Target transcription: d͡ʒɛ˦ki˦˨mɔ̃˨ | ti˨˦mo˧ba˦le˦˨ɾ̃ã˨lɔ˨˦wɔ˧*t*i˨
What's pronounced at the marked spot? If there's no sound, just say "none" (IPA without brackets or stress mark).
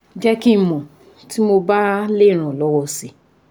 s